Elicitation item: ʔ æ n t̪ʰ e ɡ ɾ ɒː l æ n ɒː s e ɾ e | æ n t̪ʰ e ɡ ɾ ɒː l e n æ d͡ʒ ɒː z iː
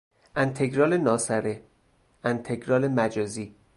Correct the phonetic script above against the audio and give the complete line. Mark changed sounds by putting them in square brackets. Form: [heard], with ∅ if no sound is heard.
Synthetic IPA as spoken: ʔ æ n t̪ʰ e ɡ ɾ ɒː l [e] n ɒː s [æ] ɾ e | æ n t̪ʰ e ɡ ɾ ɒː l e [m] æ d͡ʒ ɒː z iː